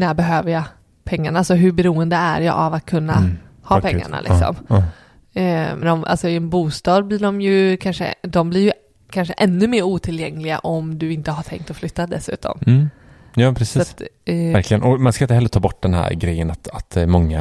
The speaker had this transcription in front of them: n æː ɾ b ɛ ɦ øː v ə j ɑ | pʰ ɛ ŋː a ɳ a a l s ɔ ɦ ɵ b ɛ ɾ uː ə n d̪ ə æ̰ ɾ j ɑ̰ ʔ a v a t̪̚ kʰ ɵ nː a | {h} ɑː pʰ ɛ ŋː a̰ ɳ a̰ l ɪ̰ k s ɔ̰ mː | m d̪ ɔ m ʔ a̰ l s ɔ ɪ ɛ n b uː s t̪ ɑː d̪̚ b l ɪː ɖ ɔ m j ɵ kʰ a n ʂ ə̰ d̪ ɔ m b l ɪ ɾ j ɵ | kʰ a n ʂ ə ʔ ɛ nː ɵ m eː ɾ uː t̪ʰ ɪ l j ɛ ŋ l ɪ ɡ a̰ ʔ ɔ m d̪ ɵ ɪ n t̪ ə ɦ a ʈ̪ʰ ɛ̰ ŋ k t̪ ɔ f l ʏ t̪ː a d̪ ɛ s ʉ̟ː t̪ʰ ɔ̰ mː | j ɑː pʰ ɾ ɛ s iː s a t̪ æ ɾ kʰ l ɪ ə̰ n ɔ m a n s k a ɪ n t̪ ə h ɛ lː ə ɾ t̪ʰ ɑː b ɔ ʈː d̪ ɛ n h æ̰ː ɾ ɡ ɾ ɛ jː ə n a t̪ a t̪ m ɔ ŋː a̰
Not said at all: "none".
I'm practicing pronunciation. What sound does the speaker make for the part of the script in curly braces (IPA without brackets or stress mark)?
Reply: h